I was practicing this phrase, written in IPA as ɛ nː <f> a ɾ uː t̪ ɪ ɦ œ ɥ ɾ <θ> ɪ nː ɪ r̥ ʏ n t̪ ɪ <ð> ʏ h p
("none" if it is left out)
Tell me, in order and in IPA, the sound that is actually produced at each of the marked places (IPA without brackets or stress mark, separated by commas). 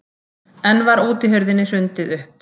v, ð, ð